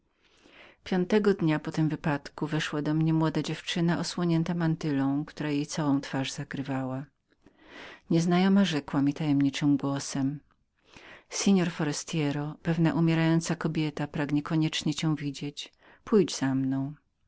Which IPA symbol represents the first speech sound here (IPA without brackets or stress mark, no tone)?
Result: pʲ